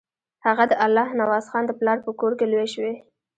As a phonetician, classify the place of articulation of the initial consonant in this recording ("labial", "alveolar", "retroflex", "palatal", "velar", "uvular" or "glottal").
glottal